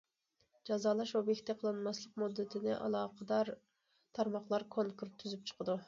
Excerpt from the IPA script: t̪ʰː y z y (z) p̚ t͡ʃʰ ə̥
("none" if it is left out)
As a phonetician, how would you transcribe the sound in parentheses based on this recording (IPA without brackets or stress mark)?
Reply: none